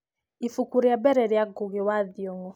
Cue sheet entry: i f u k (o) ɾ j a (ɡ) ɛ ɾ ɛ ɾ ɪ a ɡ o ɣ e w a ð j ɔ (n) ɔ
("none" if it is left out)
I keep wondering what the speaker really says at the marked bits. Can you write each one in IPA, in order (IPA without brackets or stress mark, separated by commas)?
u, b, ŋ